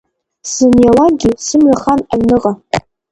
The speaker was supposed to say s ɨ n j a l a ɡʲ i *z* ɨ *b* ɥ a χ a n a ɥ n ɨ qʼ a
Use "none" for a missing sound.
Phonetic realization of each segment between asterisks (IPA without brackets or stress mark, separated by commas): s, m